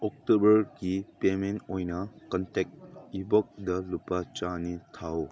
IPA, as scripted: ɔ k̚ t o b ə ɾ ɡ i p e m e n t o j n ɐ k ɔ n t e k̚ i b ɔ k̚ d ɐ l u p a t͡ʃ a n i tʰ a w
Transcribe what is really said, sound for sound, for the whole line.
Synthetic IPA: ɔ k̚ t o b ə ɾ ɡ i p e m e n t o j n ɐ k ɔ n t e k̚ i b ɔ k̚ d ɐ l u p a t͡ʃ a n i tʰ a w

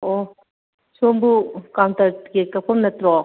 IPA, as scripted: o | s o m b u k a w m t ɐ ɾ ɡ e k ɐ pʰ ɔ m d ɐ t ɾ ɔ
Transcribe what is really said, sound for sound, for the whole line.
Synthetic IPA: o | s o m b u k a w n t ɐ ɾ ɡ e k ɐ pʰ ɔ m n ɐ t ɾ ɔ

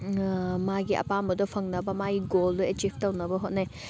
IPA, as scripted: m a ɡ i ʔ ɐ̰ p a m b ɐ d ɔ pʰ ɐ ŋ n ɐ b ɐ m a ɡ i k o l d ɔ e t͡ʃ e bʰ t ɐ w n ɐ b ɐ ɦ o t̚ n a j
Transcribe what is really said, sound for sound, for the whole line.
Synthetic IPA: m a ɡ i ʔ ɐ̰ p a m b ɐ d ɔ pʰ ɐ ŋ n ɐ b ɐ m a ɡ i ɡ o l d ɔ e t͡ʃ i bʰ t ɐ w n ɐ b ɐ ɦ o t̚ n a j

